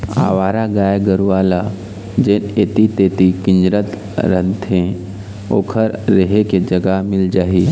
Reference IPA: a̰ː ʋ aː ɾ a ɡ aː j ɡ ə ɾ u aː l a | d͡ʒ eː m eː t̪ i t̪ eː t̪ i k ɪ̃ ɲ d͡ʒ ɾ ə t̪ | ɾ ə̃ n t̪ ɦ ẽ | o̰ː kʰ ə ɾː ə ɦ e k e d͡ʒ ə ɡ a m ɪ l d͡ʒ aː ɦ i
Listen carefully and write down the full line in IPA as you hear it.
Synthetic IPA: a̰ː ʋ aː ɾ a ɡ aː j ɡ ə ɾ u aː l a | d͡ʒ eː n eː t̪ i t̪ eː t̪ i k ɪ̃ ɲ d͡ʒ ɾ ə t̪ | ɾ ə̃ n t̪ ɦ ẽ | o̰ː kʰ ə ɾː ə ɦ e k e d͡ʒ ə ɡ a m ɪ l d͡ʒ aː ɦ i